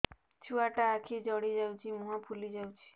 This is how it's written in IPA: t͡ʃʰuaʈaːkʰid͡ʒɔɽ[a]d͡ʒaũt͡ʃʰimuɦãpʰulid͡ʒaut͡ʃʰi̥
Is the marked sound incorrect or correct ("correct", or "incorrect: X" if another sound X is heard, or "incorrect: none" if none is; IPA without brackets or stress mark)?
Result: incorrect: i